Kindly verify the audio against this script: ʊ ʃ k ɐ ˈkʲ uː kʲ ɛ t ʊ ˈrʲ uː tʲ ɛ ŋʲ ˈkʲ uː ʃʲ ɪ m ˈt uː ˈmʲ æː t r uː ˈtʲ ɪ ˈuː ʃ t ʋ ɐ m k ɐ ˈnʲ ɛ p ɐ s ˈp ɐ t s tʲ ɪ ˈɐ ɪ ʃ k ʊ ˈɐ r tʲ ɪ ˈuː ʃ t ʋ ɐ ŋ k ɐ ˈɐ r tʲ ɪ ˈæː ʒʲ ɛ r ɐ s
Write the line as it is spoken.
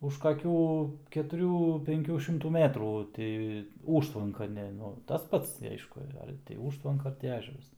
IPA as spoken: ʊ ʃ k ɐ ˈkʲ uː kʲ ɛ t ʊ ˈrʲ uː pʲ ɛ ŋʲ ˈkʲ uː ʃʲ ɪ m ˈt uː ˈmʲ æː t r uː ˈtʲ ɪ ˈuː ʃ t ʋ ɐ ŋ k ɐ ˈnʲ ɛ t ɐ s ˈp ɐ t s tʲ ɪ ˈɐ ɪ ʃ k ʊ ˈɐ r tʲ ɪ ˈuː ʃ t ʋ ɐ ŋ k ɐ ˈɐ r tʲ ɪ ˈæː ʒʲ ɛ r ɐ s